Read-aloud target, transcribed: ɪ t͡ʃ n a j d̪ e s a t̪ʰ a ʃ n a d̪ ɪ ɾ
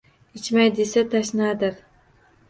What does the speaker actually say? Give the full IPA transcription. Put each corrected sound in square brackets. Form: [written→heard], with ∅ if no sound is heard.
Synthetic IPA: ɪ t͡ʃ [n→m] a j d̪ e s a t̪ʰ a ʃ n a d̪ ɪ ɾ

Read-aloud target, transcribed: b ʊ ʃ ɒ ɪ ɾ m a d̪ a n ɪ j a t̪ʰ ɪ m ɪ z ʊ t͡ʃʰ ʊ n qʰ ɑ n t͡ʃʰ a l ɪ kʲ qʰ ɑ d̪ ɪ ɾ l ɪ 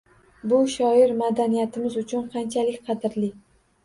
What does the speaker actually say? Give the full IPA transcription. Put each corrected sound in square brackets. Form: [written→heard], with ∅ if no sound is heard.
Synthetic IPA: b ʊ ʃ ɒ ɪ ɾ m a d̪ a n [ɪ→i] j a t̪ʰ ɪ m ɪ z ʊ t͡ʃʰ ʊ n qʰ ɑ n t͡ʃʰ a l ɪ kʲ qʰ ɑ d̪ ɪ ɾ l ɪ

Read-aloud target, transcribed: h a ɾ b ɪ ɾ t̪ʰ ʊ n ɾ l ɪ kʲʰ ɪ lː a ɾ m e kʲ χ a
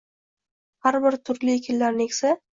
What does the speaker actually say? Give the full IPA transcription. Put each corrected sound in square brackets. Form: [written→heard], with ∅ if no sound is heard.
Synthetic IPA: h a ɾ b ɪ ɾ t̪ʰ ʊ [n→∅] ɾ l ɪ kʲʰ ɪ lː a ɾ [m→n] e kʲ [χ→s] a

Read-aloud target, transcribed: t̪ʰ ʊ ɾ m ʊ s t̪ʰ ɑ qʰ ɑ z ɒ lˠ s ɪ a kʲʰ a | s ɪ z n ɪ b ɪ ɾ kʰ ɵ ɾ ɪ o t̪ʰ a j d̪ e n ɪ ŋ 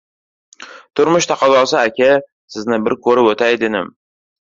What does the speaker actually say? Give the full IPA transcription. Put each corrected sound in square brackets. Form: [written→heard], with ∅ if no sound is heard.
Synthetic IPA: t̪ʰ ʊ ɾ m ʊ [s→ʃ] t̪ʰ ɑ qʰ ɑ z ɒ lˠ s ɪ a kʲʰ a | s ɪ z n ɪ b ɪ ɾ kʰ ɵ ɾ ɪ o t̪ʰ a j d̪ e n ɪ [ŋ→m]

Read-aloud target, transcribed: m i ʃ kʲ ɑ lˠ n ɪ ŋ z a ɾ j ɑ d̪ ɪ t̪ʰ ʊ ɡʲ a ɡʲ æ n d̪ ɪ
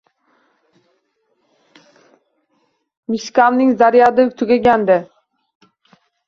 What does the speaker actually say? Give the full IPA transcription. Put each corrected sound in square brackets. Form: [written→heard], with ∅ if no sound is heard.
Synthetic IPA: m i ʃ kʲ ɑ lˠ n ɪ ŋ z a ɾ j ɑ d̪ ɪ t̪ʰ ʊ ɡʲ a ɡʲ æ n d̪ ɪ

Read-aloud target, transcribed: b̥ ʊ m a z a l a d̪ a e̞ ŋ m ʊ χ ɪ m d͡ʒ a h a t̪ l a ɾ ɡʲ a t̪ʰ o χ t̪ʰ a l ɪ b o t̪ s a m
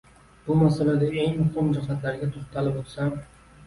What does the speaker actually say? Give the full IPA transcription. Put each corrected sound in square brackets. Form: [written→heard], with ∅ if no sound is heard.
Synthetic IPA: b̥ ʊ m a [z→s] a l a d̪ a e̞ ŋ m ʊ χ ɪ m d͡ʒ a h a t̪ l a ɾ ɡʲ a t̪ʰ o χ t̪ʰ a l ɪ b o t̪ s a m

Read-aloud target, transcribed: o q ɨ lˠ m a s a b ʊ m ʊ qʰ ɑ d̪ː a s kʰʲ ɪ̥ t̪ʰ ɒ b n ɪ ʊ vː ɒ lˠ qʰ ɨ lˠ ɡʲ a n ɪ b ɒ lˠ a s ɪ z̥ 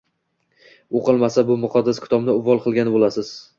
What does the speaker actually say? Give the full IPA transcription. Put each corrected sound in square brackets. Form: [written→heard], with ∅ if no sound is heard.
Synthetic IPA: o q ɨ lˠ m a s a b ʊ m ʊ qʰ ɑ d̪ː a s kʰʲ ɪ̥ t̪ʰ ɒ b n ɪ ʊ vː ɒ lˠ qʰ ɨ lˠ ɡʲ a n ɪ b [ɒ→o] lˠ a s ɪ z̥

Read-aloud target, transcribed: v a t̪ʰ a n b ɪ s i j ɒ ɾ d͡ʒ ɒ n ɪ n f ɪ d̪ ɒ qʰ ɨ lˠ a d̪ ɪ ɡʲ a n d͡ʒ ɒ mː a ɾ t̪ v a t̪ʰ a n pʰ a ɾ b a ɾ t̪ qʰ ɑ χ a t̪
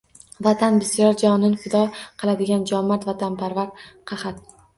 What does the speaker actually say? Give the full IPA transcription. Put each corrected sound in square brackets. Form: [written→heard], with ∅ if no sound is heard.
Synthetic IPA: v a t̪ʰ a n b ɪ s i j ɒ ɾ d͡ʒ ɒ n ɪ n f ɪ d̪ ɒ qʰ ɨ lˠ a d̪ ɪ ɡʲ a n d͡ʒ ɒ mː a ɾ t̪ v a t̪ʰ a n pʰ a ɾ [b→v] a ɾ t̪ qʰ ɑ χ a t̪

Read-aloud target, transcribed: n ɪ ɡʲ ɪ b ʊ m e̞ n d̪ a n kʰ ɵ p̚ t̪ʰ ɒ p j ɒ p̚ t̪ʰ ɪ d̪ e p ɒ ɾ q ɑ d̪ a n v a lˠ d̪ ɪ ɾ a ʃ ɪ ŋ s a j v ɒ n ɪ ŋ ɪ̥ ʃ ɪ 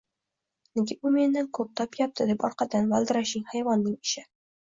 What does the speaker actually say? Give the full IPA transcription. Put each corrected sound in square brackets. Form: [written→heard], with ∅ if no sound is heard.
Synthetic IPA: n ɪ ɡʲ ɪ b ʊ m e̞ n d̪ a n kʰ ɵ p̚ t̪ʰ ɒ p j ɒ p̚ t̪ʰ ɪ d̪ e p ɒ ɾ q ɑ d̪ a n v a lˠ d̪ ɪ ɾ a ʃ ɪ ŋ [s→h] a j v ɒ [n→nː] ɪ ŋ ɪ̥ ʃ ɪ

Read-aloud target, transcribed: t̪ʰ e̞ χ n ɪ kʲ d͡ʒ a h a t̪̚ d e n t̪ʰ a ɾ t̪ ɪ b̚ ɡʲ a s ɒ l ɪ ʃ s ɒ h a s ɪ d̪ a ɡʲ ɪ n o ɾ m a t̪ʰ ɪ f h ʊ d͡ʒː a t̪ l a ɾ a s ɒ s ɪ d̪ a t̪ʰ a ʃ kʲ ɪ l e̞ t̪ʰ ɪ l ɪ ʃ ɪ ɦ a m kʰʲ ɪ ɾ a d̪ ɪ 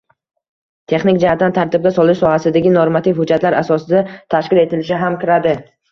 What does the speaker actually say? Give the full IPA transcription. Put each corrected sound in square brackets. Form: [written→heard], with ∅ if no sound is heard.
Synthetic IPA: t̪ʰ e̞ χ n ɪ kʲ d͡ʒ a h a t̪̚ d [e→a] n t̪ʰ a ɾ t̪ ɪ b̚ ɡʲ a s ɒ l ɪ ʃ s ɒ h a s ɪ d̪ a ɡʲ ɪ n o ɾ m a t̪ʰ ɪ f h ʊ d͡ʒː a t̪ l a ɾ a s ɒ s ɪ d̪ a t̪ʰ a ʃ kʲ ɪ l e̞ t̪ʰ ɪ l ɪ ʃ ɪ ɦ a m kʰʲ ɪ ɾ a d̪ ɪ

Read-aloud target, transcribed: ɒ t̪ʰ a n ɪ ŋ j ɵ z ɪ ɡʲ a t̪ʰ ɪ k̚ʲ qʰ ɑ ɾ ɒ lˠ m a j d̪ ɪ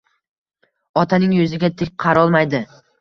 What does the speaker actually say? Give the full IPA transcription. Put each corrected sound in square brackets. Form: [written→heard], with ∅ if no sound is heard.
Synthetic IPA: ɒ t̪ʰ a n ɪ ŋ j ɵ z ɪ ɡʲ a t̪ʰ ɪ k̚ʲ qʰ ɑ ɾ ɒ lˠ m a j d̪ ɪ

